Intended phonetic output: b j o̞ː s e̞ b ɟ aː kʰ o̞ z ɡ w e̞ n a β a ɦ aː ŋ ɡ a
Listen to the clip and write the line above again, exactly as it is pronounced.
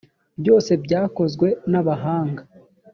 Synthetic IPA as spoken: b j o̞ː s e̞ b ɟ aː k o̞ z ɡ w e̞ n a β a ɦ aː ŋ ɡ a